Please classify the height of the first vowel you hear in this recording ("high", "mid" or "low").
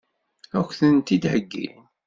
low